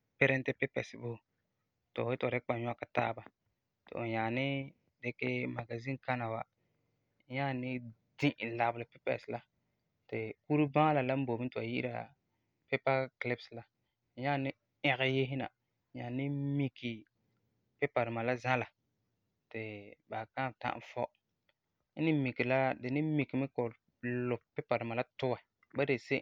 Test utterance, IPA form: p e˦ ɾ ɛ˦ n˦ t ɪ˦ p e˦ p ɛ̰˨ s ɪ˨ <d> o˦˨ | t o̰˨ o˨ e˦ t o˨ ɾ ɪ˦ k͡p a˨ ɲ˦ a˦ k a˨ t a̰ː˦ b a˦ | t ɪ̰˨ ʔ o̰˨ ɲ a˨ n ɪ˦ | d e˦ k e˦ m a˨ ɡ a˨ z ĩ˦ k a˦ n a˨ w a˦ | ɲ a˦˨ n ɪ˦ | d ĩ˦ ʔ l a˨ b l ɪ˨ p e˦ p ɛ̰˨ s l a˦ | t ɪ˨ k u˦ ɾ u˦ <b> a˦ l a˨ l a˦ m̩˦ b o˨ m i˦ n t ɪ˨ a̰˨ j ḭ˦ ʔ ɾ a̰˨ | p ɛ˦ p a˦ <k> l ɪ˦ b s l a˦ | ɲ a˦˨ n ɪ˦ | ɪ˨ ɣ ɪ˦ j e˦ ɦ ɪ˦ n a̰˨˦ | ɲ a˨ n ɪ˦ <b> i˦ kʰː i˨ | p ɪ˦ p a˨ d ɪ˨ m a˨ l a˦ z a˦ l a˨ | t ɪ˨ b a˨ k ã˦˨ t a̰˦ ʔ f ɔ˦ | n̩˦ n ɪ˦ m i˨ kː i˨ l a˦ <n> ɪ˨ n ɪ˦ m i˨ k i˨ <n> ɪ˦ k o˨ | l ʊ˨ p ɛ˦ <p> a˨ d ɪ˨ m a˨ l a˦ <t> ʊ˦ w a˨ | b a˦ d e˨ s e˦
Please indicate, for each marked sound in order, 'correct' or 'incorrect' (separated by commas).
incorrect, correct, correct, incorrect, incorrect, incorrect, correct, correct